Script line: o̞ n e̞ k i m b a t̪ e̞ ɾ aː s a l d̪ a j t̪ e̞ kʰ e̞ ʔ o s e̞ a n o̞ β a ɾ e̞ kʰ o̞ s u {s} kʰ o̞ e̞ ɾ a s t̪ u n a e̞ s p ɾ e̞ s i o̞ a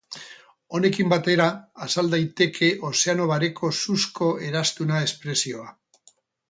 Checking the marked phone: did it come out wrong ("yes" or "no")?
no